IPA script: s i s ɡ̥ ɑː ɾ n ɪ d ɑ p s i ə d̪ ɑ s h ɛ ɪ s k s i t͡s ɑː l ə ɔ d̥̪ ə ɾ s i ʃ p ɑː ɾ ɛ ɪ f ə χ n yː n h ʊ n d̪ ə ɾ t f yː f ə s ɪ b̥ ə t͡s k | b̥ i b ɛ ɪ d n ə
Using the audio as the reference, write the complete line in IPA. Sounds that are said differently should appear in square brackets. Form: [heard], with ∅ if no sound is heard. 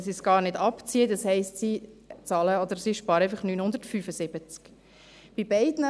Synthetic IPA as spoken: s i s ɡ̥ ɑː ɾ n ɪ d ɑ p [t͡s] i ə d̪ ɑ s h ɛ ɪ s [t] s i t͡s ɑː l ə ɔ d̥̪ ə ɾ s i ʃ p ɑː ɾ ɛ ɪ f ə χ n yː n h ʊ n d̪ ə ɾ t f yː f ə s ɪ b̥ ə t͡s k | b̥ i b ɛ ɪ d n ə